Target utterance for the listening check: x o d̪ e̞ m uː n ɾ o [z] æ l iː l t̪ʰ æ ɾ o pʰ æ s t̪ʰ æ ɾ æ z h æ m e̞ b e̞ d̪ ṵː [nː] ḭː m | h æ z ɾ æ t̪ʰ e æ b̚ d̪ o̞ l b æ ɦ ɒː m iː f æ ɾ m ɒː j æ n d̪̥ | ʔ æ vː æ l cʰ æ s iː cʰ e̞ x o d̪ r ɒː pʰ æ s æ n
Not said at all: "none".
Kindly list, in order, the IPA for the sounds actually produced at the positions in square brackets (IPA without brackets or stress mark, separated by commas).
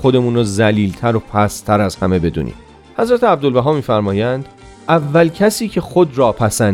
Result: z, n